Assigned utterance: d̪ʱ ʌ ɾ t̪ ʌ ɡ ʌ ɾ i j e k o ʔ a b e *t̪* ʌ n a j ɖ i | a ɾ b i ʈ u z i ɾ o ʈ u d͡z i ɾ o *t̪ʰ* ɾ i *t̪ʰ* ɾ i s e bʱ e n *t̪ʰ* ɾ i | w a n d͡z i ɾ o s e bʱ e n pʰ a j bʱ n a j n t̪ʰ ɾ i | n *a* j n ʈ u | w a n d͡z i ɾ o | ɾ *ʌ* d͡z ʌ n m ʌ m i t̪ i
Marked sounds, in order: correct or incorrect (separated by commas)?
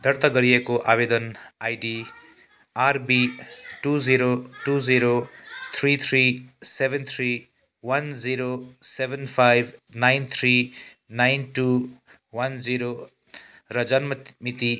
incorrect, correct, correct, correct, correct, correct